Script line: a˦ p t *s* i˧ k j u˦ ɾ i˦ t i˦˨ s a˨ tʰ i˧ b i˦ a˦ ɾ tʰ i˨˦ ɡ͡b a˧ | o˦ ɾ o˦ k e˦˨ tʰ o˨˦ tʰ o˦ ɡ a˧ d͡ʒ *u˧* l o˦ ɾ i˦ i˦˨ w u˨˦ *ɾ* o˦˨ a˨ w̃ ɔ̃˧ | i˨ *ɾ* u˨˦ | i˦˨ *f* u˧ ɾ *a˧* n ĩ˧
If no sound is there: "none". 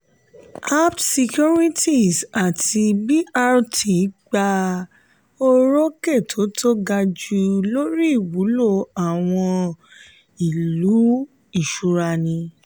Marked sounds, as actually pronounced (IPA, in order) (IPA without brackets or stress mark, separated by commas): s, u˧, l, l, ʃ, a˧